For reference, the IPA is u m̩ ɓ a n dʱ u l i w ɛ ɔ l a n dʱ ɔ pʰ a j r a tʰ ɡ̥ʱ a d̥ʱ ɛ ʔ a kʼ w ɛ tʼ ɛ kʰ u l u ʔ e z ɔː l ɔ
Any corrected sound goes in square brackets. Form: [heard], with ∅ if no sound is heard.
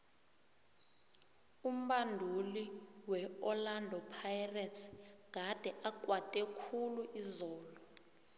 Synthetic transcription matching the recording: u m̩ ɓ a n dʱ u l i w ɛ ɔ l a n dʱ ɔ pʰ a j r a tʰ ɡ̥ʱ a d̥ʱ ɛ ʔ a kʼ w [a] tʼ ɛ kʰ u l u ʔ [i] z ɔː l ɔ